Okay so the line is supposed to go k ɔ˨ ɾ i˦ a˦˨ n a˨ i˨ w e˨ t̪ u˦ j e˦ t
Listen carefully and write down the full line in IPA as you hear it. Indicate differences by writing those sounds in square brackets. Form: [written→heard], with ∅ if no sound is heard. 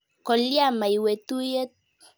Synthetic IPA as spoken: k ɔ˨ [ɾ→l] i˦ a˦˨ [n→m] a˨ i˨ w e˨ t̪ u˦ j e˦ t